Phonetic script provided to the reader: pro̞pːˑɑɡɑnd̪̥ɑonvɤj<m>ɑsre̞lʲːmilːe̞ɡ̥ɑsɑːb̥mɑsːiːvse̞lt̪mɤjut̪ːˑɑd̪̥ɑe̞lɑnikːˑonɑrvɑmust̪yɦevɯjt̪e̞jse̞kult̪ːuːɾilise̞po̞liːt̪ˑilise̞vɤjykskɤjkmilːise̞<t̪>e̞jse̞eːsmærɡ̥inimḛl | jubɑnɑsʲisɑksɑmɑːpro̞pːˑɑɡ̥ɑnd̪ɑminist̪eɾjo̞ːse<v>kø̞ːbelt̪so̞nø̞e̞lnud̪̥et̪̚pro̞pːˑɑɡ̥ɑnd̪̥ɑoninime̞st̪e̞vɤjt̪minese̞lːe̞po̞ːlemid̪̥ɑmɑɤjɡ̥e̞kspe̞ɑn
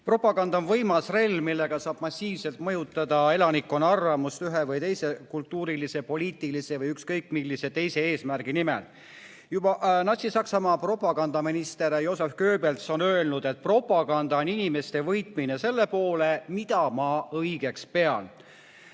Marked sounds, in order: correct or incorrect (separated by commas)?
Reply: correct, correct, incorrect